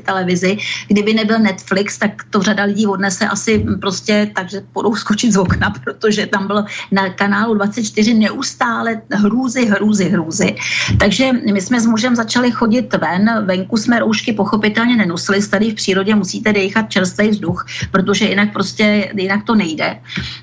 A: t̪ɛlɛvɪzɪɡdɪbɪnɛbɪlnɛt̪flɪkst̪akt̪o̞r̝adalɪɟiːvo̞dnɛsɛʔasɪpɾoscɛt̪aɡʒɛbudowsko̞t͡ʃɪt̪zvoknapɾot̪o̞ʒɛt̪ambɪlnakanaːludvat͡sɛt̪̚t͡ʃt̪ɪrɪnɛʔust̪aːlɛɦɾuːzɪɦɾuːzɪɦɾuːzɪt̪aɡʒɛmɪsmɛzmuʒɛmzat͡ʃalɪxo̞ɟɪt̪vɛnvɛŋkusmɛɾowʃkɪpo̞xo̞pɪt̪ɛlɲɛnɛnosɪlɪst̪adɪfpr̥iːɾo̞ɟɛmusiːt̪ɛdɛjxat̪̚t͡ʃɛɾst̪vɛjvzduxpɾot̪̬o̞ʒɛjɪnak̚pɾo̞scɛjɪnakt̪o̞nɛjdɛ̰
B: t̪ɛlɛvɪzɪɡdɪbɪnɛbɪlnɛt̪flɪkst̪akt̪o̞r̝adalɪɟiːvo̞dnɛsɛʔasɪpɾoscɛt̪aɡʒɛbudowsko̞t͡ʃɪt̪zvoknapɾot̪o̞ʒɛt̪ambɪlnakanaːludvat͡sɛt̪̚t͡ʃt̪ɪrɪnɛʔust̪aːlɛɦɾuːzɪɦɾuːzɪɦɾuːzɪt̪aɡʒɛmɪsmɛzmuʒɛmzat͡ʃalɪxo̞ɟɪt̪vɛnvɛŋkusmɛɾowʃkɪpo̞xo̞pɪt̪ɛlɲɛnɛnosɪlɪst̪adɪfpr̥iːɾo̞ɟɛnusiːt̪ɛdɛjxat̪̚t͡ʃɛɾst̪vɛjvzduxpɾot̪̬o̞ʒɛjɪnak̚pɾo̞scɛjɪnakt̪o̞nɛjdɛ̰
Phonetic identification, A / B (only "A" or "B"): A